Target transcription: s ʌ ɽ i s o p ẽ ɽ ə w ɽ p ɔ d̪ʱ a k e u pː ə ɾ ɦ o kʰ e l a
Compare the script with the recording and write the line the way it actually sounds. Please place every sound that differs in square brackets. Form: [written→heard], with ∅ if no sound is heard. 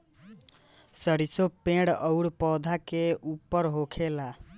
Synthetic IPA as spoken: s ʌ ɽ i s o p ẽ ɽ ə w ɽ p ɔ d̪ʱ a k e u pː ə ɾ ɦ o kʰ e l a